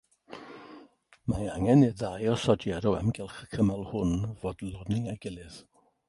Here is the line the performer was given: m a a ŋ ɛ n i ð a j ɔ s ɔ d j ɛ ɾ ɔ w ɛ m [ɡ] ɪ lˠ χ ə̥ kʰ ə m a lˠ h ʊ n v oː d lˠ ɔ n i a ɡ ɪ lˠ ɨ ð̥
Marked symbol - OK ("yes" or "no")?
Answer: yes